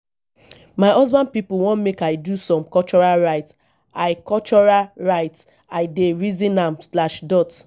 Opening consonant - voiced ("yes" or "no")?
yes